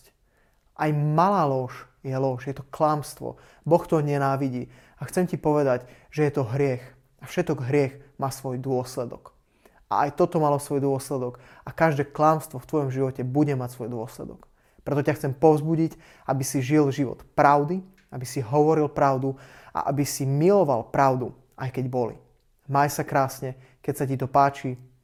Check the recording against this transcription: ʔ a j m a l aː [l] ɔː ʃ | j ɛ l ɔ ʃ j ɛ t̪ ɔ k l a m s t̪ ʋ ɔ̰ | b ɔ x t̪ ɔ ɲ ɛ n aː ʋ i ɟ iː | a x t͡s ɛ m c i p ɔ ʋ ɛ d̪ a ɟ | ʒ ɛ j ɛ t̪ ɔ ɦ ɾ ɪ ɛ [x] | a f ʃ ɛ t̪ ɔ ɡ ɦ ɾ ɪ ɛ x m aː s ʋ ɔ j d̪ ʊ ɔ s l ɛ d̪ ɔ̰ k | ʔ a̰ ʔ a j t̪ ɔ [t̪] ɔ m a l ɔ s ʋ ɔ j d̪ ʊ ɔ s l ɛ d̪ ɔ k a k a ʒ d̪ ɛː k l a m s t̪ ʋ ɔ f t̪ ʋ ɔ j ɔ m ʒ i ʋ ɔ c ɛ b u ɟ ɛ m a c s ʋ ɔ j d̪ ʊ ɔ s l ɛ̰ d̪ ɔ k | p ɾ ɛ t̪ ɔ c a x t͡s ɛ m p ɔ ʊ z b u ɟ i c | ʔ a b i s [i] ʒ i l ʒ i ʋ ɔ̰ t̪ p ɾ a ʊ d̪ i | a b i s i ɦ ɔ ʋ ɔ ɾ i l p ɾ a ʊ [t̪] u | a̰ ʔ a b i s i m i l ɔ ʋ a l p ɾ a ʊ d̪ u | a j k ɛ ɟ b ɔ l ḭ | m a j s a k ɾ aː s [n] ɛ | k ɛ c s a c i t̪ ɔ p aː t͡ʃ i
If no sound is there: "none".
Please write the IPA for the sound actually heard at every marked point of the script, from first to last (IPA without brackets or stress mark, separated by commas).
l, x, t̪, i, d̪, ɲ